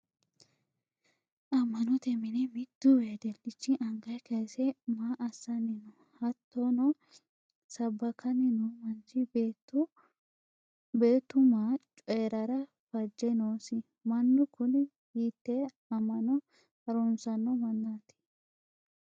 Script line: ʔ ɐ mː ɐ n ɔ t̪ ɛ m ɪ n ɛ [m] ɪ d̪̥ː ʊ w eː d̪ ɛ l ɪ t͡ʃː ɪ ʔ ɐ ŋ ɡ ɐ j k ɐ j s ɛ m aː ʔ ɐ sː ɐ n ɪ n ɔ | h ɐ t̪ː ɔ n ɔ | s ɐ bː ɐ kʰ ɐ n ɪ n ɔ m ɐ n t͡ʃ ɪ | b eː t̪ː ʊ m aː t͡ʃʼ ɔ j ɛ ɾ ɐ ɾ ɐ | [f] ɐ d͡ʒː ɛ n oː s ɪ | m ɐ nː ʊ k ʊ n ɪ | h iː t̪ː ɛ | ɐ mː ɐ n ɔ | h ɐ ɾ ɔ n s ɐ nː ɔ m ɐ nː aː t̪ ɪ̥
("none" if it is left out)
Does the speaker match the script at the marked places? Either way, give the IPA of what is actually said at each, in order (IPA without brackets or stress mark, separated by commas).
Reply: m, f